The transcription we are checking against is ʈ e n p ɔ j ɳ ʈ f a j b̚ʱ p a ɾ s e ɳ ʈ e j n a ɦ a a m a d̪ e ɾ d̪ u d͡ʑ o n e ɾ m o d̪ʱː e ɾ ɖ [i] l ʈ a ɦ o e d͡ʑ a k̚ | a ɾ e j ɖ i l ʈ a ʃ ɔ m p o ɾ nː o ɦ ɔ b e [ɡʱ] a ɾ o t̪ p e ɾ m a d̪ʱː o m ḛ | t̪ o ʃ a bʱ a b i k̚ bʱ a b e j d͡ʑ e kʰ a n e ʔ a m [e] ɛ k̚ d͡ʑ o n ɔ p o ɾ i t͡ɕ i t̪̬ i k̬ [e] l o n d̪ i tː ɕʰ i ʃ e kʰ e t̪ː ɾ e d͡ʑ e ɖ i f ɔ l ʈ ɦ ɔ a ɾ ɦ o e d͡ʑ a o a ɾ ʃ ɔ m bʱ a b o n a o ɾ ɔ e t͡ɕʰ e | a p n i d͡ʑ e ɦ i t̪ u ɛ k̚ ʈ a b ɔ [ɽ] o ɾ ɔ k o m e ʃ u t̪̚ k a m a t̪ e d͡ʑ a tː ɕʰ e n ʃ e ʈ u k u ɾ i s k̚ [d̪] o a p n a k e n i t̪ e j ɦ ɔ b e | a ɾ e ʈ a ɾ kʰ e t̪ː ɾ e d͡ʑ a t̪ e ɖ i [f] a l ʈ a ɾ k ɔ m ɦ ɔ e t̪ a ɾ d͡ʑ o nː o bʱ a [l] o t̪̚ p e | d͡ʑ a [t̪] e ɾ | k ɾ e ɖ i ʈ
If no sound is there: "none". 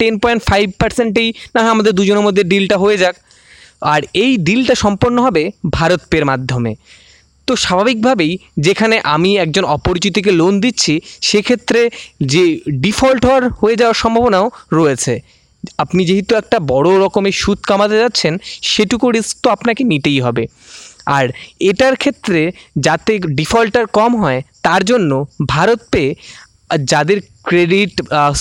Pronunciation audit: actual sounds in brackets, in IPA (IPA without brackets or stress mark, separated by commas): i, bʱ, i, e, ɽ, t̪, f, ɾ, d̪